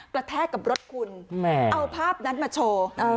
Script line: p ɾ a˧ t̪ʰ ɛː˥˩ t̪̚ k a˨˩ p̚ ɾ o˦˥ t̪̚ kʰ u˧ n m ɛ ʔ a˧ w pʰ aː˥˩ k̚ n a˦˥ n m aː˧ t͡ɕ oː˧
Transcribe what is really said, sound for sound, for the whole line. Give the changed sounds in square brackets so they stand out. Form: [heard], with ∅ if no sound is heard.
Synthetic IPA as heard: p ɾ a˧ t̪ʰ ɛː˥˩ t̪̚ k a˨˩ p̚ ɾ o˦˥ t̪̚ kʰ u˧ n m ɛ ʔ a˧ w pʰ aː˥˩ [p̚] n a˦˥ n m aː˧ [t͡ɕʰ] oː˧